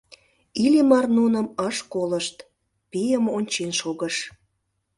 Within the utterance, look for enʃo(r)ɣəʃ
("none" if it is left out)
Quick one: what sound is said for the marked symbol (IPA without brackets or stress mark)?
none